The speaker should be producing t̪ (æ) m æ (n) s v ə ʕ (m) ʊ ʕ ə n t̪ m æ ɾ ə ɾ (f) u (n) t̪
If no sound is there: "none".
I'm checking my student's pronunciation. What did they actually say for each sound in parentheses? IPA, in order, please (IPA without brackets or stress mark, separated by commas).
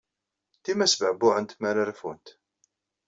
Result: i, none, b, f, n